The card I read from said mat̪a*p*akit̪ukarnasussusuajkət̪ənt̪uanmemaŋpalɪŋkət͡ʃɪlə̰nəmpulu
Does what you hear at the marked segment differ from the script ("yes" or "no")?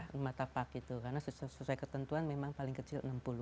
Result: no